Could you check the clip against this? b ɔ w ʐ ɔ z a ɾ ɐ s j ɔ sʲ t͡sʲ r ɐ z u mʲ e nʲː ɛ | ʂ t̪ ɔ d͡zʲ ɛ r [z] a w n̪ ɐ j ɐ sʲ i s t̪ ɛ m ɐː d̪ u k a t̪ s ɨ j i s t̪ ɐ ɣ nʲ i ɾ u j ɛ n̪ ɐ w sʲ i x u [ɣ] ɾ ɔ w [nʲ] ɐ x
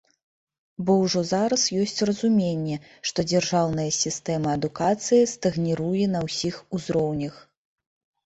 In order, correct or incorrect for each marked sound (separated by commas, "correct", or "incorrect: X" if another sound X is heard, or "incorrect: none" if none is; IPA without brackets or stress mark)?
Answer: incorrect: ʐ, incorrect: z, correct